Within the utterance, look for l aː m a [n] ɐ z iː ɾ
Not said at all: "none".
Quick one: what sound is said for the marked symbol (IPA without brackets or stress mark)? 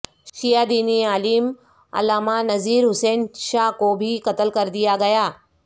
n